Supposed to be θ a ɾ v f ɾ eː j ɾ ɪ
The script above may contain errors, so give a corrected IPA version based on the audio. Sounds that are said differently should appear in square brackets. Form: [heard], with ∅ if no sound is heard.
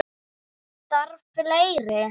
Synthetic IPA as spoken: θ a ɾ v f [l] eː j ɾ ɪ